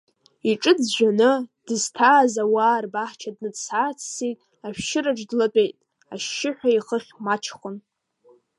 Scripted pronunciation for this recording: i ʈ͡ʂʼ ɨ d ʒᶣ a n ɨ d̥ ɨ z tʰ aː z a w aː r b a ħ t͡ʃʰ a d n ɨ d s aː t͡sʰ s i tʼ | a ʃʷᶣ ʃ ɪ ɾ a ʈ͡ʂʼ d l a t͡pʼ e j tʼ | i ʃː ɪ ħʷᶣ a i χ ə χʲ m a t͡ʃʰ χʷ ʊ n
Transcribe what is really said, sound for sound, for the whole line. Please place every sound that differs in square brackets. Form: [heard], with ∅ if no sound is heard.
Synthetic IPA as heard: i ʈ͡ʂʼ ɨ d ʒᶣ a n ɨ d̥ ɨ z tʰ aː z a w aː r b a ħ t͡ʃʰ a d n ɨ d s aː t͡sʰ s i tʼ | a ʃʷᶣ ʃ ɪ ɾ a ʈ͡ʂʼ d l a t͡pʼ e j tʼ | [a] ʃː ɪ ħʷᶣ a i χ ə χʲ m a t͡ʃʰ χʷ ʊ n